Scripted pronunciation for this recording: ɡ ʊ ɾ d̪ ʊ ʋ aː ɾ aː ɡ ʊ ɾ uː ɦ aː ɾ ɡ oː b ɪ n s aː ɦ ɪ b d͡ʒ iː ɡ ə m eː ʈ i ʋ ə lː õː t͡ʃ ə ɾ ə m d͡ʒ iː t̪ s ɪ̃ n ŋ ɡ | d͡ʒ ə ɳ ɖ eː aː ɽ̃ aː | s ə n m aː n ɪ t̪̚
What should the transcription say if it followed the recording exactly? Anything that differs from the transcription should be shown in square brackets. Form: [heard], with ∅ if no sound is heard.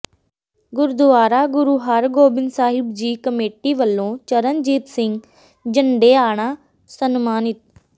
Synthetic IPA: ɡ ʊ ɾ d̪ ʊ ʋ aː ɾ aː ɡ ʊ ɾ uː ɦ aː ɾ ɡ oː b ɪ n s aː ɦ ɪ b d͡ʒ iː [k] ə m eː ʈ i ʋ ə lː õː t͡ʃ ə ɾ ə [n] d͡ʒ iː t̪ s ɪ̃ [∅] ŋ ɡ | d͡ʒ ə ɳ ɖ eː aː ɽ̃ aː | s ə n m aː n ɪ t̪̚